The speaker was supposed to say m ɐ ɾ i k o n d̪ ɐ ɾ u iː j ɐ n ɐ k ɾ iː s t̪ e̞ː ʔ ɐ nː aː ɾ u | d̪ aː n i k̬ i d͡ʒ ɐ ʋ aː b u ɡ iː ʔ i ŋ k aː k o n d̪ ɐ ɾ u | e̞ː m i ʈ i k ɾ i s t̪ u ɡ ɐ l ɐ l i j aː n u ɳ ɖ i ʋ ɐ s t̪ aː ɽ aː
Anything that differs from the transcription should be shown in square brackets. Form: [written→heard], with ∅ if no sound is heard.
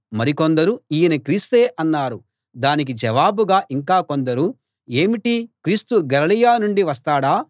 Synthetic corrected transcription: m ɐ ɾ i k o n d̪ ɐ ɾ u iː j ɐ n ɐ k ɾ iː s t̪ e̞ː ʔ ɐ nː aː ɾ u | d̪ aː n i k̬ i d͡ʒ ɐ ʋ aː b u ɡ [iː→aː] ʔ i ŋ k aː k o n d̪ ɐ ɾ u | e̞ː m i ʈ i k ɾ [i→iː] s t̪ u ɡ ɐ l ɐ l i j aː n u ɳ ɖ i ʋ ɐ s t̪ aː ɽ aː